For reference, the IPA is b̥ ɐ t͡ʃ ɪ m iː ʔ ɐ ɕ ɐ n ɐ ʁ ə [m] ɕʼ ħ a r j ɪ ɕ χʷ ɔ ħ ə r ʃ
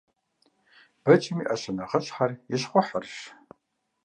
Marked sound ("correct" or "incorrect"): incorrect